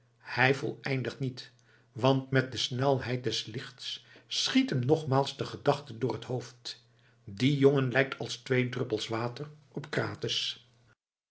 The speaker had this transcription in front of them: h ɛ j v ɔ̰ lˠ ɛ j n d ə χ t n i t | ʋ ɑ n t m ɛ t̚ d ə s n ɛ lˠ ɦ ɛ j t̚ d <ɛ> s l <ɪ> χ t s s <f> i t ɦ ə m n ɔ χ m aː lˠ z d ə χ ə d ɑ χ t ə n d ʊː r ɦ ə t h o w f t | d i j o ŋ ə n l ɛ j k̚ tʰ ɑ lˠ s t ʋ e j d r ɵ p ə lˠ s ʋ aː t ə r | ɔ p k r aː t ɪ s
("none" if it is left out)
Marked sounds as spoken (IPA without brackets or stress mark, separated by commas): ɛ, ɪ, χ